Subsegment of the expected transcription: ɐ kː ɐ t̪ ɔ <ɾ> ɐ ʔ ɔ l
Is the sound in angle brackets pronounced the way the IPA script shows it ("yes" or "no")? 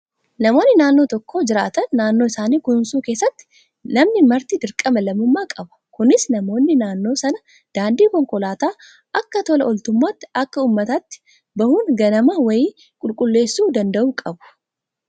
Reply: no